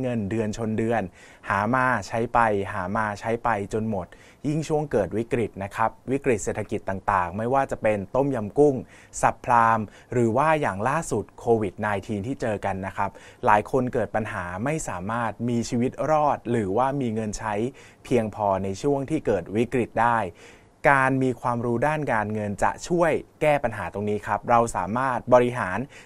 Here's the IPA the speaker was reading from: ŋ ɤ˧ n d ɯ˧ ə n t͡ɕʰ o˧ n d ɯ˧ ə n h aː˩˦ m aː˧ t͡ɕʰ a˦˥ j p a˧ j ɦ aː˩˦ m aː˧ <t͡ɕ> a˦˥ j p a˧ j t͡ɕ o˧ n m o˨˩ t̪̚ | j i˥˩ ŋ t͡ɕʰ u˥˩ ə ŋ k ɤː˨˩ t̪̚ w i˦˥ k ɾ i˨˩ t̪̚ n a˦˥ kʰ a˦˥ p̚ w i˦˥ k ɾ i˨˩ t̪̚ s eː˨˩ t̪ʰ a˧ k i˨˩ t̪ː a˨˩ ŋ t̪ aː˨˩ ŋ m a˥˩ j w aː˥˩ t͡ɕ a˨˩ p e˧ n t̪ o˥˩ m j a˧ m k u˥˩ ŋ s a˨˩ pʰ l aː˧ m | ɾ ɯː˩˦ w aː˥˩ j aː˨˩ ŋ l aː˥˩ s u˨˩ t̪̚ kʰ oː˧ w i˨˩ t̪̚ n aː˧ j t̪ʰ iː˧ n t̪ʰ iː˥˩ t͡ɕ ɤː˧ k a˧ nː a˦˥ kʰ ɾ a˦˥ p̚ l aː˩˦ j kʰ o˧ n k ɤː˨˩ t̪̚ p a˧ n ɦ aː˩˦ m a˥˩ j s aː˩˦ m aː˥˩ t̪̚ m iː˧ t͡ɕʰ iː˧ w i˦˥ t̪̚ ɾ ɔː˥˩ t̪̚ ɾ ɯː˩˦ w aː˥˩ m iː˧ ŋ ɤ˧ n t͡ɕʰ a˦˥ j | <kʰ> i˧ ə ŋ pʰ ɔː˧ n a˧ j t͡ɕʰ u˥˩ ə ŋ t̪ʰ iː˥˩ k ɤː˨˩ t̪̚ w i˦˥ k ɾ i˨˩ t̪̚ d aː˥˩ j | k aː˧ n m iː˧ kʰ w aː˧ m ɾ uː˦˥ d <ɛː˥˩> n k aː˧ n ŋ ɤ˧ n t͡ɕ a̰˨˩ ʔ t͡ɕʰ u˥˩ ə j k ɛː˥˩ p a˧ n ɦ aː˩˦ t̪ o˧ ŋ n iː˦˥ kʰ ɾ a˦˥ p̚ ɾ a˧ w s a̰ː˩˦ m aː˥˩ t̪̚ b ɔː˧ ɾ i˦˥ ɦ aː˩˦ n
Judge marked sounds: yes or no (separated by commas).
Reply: no, no, no